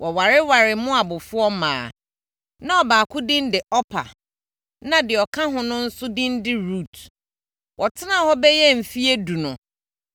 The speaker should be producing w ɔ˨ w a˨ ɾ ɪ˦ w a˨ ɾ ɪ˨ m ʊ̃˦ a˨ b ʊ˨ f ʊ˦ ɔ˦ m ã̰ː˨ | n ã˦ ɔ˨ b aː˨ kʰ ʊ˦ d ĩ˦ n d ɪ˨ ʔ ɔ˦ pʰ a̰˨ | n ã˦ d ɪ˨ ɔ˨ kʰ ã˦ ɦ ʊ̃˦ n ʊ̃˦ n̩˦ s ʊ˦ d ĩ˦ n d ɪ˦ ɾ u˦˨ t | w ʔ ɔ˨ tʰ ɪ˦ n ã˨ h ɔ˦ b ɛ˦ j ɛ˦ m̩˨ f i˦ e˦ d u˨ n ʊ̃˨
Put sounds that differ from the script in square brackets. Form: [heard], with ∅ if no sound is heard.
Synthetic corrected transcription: w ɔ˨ w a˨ ɾ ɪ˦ w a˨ ɾ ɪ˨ m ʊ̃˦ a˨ b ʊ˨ f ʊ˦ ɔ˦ m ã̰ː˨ | n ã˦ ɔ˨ b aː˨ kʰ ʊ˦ d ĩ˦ n d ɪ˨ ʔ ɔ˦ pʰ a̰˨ | n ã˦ d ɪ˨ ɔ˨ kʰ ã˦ ɦ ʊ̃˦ n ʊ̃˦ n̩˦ s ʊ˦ d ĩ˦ n d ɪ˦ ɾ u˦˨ t | w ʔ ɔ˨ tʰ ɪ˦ n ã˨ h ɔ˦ b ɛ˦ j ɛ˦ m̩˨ f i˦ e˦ d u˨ n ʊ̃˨

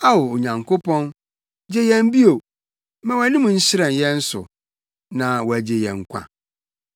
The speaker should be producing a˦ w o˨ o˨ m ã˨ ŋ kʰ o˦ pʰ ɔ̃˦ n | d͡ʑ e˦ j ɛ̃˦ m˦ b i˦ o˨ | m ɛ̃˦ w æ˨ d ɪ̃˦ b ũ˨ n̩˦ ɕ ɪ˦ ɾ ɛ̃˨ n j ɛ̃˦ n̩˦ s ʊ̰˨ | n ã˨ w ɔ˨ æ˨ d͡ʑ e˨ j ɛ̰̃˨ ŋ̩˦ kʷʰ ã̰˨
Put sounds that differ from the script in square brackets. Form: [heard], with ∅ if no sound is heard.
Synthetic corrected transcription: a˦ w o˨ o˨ [ɲ] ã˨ ŋ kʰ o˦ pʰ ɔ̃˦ n | d͡ʑ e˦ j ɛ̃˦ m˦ b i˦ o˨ | m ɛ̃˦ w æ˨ [n] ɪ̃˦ [m] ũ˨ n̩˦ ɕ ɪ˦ ɾ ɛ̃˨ n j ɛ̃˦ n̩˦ s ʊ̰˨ | n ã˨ w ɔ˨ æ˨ d͡ʑ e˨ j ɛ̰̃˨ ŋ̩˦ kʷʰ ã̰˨

